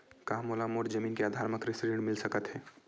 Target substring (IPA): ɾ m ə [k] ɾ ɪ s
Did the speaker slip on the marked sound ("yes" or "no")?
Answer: no